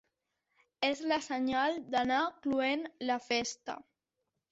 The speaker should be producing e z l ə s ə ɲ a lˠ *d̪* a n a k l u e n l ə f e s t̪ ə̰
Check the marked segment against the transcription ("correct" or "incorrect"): correct